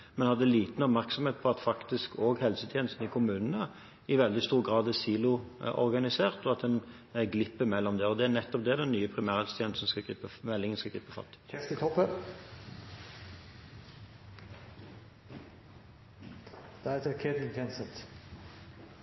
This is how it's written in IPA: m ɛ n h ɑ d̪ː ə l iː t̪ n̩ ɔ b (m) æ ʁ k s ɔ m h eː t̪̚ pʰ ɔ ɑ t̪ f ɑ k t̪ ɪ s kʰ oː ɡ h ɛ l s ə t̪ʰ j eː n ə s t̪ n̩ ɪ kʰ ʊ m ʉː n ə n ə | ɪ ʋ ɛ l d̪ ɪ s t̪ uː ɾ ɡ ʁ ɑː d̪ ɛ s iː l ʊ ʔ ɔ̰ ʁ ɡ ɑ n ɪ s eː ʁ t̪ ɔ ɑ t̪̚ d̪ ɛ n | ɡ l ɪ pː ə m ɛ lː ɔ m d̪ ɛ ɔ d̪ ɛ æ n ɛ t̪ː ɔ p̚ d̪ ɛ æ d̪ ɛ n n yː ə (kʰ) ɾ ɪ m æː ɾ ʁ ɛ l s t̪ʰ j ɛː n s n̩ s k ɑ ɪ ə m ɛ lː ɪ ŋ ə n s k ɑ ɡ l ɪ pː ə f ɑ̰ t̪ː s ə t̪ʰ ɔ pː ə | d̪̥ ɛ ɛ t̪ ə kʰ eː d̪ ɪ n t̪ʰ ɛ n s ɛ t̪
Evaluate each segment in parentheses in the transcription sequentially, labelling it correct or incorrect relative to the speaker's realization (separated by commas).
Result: correct, incorrect